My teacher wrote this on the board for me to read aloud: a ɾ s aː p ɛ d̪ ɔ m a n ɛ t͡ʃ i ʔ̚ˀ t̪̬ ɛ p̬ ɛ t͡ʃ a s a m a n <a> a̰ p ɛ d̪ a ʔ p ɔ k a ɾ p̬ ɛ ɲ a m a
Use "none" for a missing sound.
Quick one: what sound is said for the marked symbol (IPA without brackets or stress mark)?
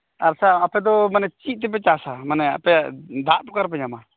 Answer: ɛ